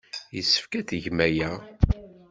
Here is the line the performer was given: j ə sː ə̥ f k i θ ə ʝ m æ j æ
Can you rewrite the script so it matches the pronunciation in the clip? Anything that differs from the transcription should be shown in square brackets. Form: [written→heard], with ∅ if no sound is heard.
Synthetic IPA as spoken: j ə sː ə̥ f k [i→æ] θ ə ʝ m æ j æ